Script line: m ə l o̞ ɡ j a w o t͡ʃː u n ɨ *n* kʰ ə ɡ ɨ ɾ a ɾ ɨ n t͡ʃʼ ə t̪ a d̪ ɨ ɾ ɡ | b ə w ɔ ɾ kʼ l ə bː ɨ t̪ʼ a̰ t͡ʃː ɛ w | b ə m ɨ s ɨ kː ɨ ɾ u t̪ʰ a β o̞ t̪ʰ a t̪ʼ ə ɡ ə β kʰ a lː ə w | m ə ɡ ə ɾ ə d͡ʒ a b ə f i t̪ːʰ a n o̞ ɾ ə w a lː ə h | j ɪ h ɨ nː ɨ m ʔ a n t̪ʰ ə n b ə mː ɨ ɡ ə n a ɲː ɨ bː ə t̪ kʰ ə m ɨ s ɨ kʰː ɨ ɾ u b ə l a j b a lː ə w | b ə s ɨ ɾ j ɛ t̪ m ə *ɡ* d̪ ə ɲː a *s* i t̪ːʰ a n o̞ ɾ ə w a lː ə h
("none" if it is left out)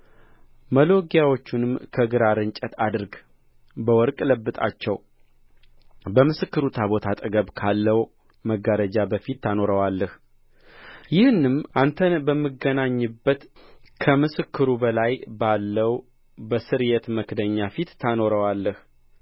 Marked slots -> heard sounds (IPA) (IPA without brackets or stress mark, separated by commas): m, k, f